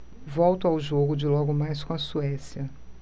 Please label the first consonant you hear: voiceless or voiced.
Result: voiced